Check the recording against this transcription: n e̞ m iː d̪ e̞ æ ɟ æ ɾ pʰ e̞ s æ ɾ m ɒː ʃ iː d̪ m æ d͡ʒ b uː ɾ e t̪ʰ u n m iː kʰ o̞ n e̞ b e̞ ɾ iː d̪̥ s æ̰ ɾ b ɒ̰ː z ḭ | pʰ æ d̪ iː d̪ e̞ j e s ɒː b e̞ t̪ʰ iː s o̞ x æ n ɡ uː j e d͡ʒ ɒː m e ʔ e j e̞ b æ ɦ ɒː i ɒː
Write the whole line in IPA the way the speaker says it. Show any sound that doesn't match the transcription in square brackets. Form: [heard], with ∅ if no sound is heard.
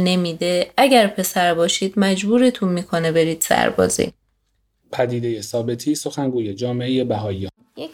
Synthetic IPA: n e̞ m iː d̪ e̞ æ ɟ æ ɾ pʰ e̞ s æ ɾ [b] ɒː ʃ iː d̪ m æ d͡ʒ b uː ɾ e t̪ʰ u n m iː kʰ o̞ n e̞ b e̞ ɾ iː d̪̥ s æ̰ ɾ b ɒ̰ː z ḭ | pʰ æ d̪ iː d̪ e̞ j e s ɒː b e̞ t̪ʰ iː s o̞ x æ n ɡ uː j e d͡ʒ ɒː m e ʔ e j e̞ b æ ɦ ɒː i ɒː